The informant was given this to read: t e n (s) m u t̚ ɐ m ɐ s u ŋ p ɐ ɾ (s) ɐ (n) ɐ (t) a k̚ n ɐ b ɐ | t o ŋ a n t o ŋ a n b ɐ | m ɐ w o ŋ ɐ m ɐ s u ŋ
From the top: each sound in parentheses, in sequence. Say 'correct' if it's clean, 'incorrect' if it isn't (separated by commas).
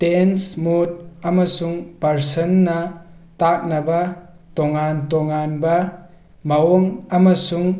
correct, correct, incorrect, correct